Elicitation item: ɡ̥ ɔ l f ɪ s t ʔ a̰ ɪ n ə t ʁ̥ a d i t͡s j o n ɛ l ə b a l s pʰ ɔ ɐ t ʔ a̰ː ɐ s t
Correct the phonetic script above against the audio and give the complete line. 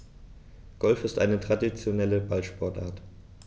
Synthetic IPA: ɡ̥ ɔ l f ɪ s t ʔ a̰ ɪ n ə t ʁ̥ a d i t͡s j o n ɛ l ə b a l ʃ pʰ ɔ ɐ t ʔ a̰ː ɐ t